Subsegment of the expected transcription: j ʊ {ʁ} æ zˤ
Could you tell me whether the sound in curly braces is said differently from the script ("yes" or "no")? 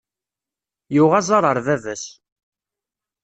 no